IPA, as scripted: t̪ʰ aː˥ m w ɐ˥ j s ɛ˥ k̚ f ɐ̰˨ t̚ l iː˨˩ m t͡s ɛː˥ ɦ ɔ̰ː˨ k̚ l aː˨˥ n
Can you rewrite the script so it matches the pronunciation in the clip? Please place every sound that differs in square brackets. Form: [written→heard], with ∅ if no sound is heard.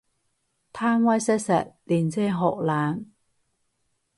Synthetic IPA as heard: t̪ʰ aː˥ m w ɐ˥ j s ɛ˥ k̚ [f→s] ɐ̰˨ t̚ l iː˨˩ [m→n] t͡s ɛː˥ ɦ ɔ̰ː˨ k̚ l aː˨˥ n